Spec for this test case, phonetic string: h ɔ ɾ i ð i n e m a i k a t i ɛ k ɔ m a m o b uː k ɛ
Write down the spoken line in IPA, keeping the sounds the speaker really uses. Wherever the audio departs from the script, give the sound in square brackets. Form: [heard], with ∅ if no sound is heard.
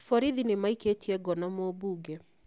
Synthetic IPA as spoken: [f] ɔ ɾ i ð i n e m a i k [e] t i ɛ [ɡ] ɔ [n] a m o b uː [ɡ] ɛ